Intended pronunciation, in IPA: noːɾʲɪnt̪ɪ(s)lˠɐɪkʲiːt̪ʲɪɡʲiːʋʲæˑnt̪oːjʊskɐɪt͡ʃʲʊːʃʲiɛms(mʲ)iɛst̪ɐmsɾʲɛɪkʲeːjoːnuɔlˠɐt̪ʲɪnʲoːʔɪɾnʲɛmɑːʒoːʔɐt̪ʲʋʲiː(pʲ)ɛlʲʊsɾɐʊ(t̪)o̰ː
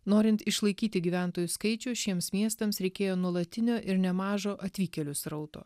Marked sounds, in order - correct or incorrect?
incorrect, correct, incorrect, correct

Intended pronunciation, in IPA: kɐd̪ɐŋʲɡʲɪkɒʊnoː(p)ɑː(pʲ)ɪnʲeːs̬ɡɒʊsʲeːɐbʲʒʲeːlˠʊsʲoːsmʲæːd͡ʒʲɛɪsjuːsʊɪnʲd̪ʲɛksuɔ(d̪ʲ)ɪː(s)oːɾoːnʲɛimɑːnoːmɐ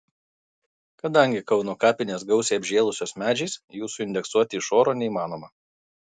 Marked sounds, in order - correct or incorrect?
incorrect, correct, incorrect, incorrect

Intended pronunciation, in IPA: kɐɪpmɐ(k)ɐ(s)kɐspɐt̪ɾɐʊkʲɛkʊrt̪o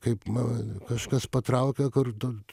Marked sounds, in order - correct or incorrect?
correct, incorrect

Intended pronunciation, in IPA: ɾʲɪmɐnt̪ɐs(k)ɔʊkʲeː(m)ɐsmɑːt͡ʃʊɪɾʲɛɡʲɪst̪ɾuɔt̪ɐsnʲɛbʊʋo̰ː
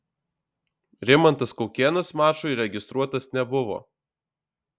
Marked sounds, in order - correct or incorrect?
correct, incorrect

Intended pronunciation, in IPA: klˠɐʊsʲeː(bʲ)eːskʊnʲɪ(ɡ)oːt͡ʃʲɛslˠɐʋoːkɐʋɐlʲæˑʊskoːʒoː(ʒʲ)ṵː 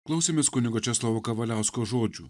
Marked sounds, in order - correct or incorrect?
incorrect, correct, incorrect

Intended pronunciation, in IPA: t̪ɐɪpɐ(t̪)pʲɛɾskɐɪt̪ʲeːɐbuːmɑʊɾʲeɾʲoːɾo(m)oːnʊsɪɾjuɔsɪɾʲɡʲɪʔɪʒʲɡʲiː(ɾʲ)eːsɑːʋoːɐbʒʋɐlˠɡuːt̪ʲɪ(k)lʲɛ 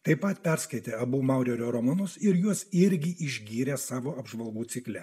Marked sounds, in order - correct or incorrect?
correct, correct, correct, correct

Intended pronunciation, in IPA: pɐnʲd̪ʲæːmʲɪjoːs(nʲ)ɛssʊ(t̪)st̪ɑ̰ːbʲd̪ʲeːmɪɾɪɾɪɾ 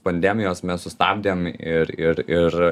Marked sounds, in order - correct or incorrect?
incorrect, incorrect

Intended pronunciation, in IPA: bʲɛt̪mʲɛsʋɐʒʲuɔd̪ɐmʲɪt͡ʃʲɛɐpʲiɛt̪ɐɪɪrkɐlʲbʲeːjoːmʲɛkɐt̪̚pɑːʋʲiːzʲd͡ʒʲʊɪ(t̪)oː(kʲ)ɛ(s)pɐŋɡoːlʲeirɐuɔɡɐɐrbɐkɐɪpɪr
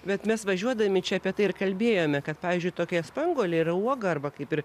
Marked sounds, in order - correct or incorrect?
correct, correct, correct

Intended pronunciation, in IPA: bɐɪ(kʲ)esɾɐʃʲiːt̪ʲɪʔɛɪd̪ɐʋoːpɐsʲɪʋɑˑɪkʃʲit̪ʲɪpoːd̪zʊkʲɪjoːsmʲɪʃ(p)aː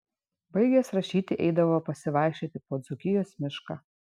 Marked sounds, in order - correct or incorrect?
incorrect, incorrect

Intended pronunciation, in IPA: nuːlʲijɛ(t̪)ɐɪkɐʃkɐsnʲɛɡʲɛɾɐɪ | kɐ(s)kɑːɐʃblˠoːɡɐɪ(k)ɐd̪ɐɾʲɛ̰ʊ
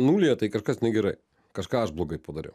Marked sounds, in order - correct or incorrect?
correct, incorrect, incorrect

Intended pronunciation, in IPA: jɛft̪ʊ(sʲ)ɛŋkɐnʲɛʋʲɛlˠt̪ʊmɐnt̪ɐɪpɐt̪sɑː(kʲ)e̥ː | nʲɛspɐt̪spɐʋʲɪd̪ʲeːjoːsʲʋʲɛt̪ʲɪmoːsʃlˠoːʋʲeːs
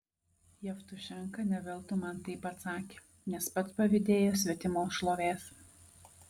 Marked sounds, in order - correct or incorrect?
incorrect, correct

